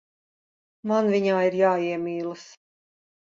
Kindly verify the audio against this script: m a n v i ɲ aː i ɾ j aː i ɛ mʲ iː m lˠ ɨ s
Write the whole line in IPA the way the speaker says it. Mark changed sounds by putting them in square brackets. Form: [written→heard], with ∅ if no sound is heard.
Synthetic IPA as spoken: m a n v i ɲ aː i ɾ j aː i ɛ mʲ iː [m→∅] lˠ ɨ s